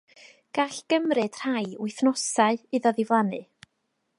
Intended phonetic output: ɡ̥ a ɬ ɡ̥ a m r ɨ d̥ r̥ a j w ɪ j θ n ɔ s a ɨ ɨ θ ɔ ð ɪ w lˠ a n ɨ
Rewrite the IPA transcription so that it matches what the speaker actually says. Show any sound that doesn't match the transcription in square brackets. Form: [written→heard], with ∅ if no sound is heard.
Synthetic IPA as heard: ɡ̥ a ɬ ɡ̥ [a→ə] m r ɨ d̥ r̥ a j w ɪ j θ n ɔ s a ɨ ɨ [θ→ð] ɔ ð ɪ [w→v] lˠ a n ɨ